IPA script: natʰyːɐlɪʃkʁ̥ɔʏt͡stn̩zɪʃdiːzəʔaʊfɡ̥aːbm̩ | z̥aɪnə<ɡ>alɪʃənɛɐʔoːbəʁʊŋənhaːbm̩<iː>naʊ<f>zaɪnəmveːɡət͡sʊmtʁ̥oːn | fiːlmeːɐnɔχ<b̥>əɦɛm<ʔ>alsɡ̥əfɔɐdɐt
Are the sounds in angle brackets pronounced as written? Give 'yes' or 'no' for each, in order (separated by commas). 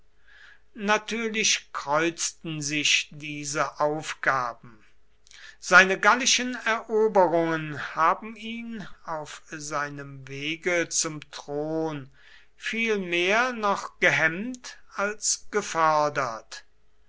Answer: yes, yes, yes, no, no